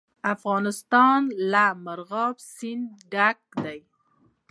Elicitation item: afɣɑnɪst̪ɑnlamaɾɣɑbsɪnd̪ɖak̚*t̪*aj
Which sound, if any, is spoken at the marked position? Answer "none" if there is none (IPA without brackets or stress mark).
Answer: d̪